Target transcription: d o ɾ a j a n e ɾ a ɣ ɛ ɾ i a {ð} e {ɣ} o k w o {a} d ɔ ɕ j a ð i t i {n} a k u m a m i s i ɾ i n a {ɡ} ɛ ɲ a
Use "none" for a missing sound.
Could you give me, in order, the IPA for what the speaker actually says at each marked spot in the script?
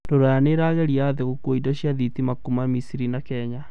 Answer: ð, ɣ, i, m, k

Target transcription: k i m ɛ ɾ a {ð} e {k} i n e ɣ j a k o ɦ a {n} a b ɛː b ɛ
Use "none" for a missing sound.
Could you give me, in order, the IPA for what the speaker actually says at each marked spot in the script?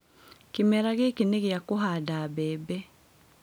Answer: ɣ, k, d

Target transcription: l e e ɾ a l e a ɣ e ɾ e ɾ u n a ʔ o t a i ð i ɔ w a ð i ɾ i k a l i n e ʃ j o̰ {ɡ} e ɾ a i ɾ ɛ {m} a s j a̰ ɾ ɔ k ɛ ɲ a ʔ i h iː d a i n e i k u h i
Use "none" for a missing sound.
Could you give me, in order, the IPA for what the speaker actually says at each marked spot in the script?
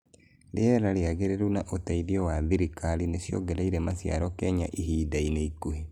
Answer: ɡ, m

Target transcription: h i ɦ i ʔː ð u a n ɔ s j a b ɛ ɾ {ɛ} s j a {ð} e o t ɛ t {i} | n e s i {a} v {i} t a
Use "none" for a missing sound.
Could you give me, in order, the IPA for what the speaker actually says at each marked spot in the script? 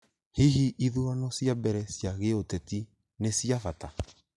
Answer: ɛ, ɣ, i, a, a

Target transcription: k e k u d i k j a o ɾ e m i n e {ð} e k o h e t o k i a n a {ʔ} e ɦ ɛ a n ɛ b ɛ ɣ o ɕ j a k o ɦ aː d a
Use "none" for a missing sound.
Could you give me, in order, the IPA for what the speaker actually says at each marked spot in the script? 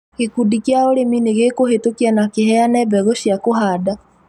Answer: ɣ, k

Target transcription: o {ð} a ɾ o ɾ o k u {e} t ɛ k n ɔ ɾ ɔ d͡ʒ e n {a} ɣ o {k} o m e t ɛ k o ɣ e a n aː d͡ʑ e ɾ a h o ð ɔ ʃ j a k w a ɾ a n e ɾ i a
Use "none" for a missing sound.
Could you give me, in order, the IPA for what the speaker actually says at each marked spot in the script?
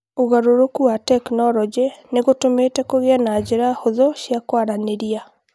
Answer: ɣ, a, e, t

